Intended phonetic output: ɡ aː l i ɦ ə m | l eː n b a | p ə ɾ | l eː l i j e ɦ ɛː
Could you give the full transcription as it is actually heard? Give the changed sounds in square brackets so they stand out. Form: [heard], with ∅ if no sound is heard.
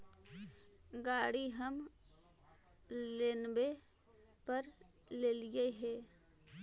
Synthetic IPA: ɡ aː [ɽ] i ɦ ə m | l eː n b [e] | p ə ɾ | l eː l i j e ɦ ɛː